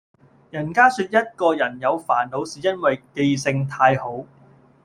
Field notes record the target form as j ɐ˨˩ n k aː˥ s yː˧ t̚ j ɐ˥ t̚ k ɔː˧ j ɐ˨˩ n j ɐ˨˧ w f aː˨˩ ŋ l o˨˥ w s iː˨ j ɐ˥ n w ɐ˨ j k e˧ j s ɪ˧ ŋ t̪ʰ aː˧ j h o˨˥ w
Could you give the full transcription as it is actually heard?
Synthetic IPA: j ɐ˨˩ n k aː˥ s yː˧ t̚ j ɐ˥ t̚ k ɔː˧ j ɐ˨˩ n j ɐ˨˧ w f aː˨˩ n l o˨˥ w s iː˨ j ɐ˥ n w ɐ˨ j k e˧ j s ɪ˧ ŋ t̪ʰ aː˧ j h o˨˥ w